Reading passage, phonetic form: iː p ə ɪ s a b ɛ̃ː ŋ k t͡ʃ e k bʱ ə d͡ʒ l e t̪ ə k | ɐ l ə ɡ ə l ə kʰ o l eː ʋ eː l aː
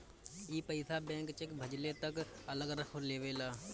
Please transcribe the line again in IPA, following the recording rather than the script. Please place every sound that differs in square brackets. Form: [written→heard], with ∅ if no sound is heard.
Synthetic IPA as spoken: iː p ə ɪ s a b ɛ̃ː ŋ k t͡ʃ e k bʱ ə d͡ʒ l e t̪ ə k | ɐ l ə ɡ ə [l→ɾ] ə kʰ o l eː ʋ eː l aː